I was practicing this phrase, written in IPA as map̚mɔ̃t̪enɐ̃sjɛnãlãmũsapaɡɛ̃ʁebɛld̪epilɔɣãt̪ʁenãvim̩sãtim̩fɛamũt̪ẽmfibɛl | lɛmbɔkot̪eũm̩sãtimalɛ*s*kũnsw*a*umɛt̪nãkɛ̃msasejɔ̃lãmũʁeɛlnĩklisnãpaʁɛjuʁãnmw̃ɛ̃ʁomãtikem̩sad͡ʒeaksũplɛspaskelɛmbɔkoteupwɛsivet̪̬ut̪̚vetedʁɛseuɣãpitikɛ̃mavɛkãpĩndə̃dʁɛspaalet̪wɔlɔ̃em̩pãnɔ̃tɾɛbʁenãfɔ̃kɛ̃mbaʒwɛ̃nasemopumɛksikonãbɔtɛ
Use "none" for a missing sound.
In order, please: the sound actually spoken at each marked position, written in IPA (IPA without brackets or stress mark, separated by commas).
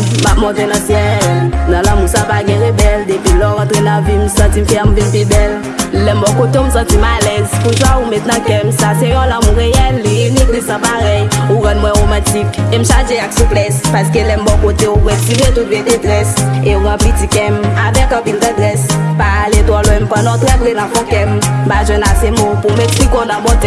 z, a